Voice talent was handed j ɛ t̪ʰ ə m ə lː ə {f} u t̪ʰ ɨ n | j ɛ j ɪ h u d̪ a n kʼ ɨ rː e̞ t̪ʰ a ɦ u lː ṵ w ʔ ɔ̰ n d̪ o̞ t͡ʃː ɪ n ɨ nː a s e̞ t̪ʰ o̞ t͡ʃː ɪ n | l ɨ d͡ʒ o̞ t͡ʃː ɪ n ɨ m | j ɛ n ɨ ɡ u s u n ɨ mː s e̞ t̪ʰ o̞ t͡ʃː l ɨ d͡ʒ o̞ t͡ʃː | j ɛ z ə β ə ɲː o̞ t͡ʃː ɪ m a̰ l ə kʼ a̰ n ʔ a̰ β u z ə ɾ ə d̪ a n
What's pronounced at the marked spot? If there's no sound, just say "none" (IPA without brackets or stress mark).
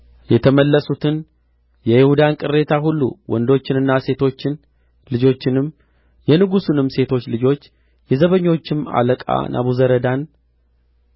s